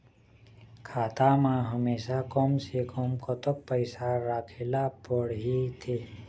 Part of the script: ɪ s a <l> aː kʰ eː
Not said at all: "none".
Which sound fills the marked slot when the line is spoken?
ɾ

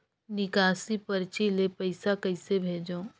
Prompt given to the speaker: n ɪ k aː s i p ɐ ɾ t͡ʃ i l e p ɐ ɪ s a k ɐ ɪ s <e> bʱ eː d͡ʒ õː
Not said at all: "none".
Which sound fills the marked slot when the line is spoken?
e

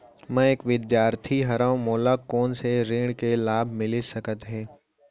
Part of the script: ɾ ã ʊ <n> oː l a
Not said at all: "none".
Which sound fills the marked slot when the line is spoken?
m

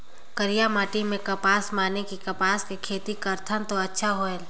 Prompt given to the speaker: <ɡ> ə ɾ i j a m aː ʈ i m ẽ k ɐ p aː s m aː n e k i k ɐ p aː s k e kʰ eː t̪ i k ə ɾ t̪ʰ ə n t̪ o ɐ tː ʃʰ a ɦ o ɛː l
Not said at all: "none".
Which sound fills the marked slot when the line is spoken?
k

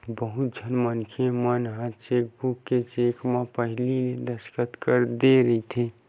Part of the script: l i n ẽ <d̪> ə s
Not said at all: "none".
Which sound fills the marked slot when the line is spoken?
d̪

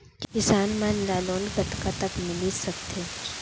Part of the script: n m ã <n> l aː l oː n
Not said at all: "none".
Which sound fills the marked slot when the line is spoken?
n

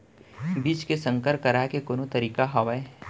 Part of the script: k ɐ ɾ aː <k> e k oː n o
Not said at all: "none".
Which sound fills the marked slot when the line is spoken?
k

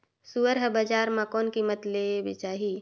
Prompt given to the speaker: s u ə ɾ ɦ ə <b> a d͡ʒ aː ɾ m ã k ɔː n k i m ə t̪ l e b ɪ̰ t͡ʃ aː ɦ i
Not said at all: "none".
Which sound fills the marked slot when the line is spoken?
b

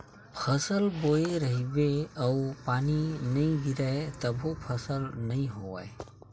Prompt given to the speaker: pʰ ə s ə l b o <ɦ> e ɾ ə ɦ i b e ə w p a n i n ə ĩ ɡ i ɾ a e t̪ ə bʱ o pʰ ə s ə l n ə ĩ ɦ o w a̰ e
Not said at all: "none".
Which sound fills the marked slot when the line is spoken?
none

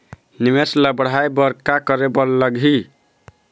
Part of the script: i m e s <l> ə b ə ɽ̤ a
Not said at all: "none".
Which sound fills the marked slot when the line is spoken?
l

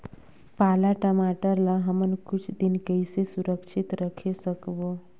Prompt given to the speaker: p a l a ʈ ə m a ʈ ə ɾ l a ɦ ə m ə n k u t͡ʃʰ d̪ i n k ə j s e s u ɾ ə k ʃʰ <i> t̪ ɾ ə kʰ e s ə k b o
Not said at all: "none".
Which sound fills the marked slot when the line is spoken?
i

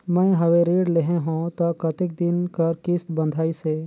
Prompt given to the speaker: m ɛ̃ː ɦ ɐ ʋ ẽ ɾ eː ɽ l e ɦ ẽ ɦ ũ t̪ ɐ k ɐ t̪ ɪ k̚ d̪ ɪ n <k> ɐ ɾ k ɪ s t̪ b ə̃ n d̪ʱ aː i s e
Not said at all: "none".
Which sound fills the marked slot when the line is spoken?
k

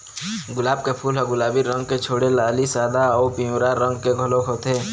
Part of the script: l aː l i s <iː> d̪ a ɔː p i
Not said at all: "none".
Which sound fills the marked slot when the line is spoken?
aː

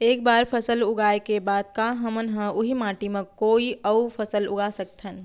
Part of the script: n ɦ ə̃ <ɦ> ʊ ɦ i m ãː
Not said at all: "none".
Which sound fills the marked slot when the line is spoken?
none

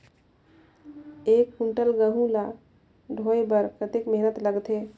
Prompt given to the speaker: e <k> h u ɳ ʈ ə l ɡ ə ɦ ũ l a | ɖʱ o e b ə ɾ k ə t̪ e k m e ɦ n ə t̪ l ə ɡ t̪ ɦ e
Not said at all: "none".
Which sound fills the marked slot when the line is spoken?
k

